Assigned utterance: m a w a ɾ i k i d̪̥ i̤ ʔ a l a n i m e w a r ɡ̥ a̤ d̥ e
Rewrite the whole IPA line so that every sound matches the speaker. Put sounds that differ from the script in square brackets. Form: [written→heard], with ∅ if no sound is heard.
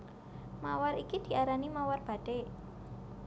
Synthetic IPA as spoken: m a w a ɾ i k i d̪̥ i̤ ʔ a [l→ɾ] a n i m [e→a] w a r [ɡ̥→b̥] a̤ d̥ e